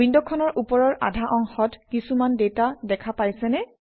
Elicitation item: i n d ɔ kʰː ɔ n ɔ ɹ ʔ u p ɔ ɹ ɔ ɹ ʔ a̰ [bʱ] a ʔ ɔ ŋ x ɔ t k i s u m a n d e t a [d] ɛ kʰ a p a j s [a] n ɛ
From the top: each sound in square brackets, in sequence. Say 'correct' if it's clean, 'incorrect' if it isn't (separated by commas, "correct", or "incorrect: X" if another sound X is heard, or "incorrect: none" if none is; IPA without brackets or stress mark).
incorrect: dʱ, correct, incorrect: ɛ